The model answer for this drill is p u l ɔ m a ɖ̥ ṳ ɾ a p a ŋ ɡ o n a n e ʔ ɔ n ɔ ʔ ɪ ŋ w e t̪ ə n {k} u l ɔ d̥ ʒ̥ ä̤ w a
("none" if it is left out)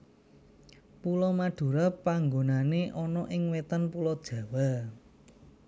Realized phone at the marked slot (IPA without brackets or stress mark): p